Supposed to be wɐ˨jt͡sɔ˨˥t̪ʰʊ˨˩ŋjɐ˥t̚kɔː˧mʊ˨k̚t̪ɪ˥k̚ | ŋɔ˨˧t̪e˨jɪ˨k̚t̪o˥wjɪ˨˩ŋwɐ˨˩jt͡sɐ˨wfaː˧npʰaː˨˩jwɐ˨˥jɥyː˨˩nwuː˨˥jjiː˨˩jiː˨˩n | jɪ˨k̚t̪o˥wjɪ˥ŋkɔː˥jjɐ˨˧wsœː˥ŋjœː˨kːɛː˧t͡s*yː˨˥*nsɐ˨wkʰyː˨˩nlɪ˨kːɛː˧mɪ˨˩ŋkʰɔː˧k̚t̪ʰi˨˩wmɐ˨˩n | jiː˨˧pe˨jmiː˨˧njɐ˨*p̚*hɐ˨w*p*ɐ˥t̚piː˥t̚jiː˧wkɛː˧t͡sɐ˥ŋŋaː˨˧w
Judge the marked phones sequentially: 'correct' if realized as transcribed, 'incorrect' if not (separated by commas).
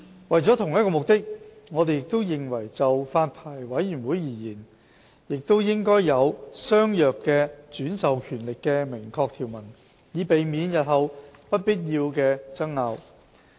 correct, incorrect, correct